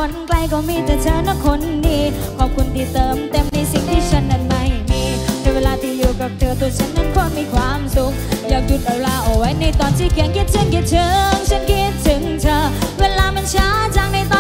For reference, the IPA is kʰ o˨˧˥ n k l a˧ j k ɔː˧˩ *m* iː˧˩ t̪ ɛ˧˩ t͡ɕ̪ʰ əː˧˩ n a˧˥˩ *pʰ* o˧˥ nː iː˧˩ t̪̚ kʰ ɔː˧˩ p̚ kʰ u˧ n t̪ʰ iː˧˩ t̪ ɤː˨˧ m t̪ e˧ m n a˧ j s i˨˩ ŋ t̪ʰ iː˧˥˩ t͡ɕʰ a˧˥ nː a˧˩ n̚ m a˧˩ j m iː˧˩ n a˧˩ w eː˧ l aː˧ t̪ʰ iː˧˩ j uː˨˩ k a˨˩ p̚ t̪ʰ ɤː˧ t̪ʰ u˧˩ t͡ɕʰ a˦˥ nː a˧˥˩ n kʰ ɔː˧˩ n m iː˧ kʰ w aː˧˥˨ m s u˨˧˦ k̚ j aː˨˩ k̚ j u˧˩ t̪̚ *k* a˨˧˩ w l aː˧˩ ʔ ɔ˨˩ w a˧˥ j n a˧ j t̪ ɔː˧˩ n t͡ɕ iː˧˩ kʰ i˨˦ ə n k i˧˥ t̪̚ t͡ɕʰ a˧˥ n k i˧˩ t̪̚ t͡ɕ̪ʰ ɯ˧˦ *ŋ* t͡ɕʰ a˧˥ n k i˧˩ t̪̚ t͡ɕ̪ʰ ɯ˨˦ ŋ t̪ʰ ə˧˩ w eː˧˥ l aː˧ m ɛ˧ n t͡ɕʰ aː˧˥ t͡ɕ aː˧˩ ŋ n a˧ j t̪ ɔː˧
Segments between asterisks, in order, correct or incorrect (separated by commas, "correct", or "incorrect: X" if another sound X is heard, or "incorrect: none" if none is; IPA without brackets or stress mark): correct, incorrect: kʰ, incorrect: ʔ, correct